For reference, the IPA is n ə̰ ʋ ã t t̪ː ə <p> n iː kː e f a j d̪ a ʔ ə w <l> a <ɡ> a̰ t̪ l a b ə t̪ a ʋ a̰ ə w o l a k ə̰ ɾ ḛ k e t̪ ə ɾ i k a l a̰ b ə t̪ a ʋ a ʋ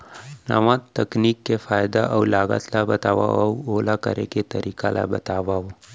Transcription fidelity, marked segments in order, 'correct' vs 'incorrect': incorrect, correct, correct

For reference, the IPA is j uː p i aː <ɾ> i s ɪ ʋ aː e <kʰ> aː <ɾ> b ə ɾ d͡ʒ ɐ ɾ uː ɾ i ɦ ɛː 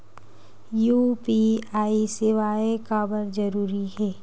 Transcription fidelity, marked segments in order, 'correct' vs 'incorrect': incorrect, incorrect, incorrect

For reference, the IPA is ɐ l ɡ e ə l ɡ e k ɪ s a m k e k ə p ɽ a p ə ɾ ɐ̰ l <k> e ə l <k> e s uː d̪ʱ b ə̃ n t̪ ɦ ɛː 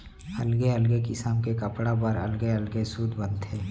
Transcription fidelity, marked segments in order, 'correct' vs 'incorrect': incorrect, incorrect

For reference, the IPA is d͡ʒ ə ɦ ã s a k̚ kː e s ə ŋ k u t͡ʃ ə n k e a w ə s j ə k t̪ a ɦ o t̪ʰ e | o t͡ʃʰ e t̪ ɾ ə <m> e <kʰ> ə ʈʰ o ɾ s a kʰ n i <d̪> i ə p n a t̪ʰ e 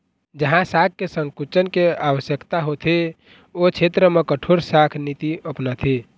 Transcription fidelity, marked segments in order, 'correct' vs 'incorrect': correct, incorrect, incorrect

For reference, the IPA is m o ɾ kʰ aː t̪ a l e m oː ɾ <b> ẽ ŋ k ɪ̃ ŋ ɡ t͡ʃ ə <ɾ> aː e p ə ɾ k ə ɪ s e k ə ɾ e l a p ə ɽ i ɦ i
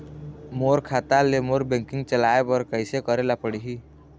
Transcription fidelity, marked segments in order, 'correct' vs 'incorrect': correct, incorrect

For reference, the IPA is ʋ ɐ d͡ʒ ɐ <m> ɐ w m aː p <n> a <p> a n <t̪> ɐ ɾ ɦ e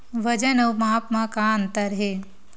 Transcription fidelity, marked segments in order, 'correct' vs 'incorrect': incorrect, incorrect, incorrect, correct

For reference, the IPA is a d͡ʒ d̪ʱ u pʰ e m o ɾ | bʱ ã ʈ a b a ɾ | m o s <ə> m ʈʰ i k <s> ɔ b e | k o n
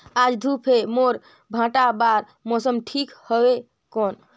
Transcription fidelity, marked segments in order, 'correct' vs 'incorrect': correct, incorrect

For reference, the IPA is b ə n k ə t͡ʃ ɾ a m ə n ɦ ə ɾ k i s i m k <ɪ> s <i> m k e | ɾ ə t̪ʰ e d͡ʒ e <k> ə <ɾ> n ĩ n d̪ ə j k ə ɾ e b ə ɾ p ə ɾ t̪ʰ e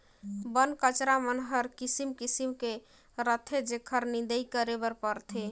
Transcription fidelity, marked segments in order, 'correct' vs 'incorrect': incorrect, correct, incorrect, correct

